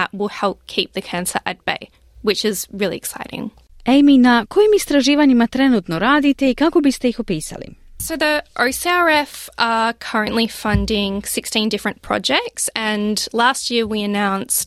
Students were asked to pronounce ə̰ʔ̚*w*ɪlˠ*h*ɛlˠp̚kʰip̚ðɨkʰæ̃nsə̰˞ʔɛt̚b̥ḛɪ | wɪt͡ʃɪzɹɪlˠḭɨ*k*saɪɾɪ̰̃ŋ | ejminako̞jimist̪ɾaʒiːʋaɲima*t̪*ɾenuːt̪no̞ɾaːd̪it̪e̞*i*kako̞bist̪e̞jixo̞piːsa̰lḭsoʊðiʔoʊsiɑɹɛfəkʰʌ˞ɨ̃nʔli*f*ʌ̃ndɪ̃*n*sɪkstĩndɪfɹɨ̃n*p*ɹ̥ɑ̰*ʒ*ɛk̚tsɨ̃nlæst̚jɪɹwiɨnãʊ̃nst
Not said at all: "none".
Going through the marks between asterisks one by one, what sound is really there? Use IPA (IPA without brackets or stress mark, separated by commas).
w, h, k, t̪, i, f, ŋ, pʰ, d͡ʒ